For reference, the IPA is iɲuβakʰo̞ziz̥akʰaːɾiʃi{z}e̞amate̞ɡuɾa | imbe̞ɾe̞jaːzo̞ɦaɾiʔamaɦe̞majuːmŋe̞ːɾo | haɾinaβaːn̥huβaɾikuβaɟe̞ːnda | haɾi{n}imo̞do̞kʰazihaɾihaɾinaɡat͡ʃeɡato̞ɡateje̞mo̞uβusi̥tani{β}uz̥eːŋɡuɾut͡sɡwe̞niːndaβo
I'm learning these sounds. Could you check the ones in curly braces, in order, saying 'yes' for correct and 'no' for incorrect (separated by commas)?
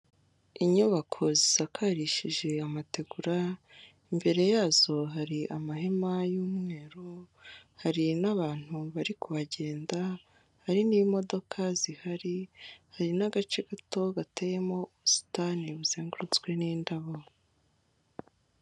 no, yes, yes